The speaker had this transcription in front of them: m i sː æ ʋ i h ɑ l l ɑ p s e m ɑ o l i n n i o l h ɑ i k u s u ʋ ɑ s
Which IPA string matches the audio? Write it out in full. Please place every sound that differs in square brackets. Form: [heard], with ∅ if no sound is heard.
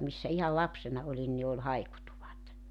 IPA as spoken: m i sː æ [∅] i h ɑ l l ɑ p s e [n] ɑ o l i n n i o l h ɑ i k u [t] u ʋ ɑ [t]